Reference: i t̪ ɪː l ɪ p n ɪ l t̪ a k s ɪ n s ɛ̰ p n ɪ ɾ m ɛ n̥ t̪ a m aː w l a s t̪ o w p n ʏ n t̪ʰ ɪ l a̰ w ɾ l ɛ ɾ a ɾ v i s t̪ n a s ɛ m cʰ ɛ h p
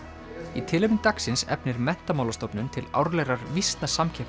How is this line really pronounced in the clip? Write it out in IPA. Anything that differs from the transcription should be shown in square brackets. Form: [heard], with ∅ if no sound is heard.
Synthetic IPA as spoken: i [t̪ʰ] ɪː l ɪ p n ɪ [∅] t̪ a k s ɪ n s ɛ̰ p n ɪ ɾ m ɛ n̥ t̪ a m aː w l a s t̪ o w p n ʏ n t̪ʰ ɪ l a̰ w ɾ l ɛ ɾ a ɾ v i s t̪ n a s [a] m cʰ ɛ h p